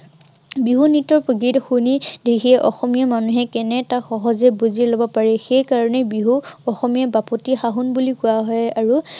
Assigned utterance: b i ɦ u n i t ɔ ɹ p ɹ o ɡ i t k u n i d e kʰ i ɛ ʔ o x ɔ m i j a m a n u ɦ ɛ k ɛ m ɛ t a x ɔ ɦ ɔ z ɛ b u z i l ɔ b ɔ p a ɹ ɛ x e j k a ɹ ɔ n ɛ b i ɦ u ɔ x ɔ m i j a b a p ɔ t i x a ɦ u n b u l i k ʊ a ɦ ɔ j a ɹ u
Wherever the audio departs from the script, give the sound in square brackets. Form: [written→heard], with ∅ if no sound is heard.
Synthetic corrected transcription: b i ɦ u n i t ɔ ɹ p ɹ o ɡ i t [k→x] u n i d e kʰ i ɛ ʔ [o→ɔ] x ɔ m i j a m a n u ɦ ɛ k ɛ [m→n] ɛ t a x ɔ ɦ ɔ z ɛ b u z i l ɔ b ɔ p a ɹ ɛ x e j k a ɹ ɔ n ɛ b i ɦ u ɔ x ɔ m i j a b a p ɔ t i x a ɦ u n b u l i k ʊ a ɦ ɔ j a ɹ u

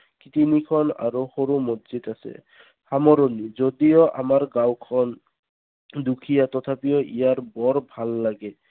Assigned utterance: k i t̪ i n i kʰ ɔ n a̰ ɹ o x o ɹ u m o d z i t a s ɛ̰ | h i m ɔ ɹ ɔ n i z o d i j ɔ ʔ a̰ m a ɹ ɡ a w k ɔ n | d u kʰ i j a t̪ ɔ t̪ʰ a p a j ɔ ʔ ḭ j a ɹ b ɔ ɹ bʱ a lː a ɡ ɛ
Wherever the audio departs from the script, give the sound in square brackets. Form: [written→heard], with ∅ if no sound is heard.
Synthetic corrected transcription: k i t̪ i n i kʰ ɔ n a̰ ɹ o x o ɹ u m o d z i t a s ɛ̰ | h [i→a] m ɔ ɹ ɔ n i z o d i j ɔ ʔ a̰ m a ɹ ɡ a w [k→kʰ] ɔ n | d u kʰ i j a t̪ ɔ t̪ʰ a p [a→i] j ɔ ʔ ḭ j a ɹ b ɔ ɹ bʱ a lː a ɡ ɛ

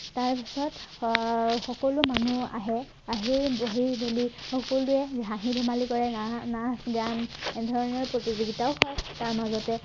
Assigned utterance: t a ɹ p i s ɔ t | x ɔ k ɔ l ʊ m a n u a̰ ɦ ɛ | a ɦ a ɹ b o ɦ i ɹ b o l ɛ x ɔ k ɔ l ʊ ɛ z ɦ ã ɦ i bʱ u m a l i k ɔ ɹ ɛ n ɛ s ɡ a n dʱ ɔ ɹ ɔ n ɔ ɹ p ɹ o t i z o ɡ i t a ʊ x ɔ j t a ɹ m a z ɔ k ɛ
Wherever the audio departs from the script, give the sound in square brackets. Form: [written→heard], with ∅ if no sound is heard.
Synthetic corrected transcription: t a ɹ p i s ɔ t | x ɔ k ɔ l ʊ m a n u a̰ ɦ ɛ | a ɦ [a→i] ɹ b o ɦ i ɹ b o l [ɛ→i] x ɔ k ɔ l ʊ ɛ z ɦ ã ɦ i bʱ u m a l i k ɔ ɹ ɛ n [ɛ→a] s ɡ a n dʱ ɔ ɹ ɔ n ɔ ɹ p ɹ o t i z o ɡ i t a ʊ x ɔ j t a ɹ m a z ɔ [k→t] ɛ

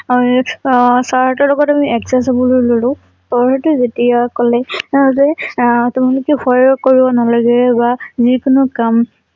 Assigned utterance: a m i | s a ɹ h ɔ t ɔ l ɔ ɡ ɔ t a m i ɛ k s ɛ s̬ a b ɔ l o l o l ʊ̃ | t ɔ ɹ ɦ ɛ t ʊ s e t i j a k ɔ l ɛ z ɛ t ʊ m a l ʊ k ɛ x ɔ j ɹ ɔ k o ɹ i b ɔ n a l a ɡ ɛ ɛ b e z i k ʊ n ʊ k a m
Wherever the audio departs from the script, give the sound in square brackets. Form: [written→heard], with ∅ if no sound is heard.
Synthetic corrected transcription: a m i | s a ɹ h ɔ t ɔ l ɔ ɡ ɔ t a m i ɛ k s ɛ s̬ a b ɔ l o l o l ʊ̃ | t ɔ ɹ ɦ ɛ t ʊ [s→z] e t i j a k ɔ l ɛ z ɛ t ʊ m a l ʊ k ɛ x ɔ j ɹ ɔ k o ɹ i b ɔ n a l a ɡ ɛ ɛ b [e→a] z i k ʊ n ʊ k a m

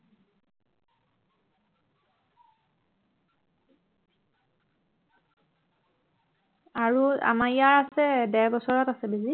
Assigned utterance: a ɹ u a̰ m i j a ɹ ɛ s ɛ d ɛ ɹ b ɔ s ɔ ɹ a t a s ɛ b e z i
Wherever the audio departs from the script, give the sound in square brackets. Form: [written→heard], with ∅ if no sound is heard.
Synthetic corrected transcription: a ɹ u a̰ m [i→a] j a ɹ [ɛ→a] s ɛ d ɛ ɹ b ɔ s ɔ ɹ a t a s ɛ b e z i

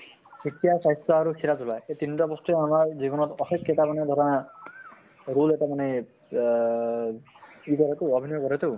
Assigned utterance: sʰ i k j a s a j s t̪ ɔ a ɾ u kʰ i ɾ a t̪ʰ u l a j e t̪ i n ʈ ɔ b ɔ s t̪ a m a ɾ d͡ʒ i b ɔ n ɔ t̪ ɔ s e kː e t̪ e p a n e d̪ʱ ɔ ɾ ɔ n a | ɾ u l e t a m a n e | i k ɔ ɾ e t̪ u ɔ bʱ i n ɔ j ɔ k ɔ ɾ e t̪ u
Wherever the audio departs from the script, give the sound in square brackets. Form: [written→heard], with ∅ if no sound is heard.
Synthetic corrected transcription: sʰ i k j a s a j s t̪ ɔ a ɾ u kʰ i ɾ a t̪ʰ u l a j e t̪ i n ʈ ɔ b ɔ s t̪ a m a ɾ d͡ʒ i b ɔ n ɔ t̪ ɔ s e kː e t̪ [e→a] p a n e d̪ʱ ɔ ɾ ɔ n a | ɾ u l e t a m a n e | i k ɔ ɾ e t̪ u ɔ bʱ i n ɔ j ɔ k ɔ ɾ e t̪ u

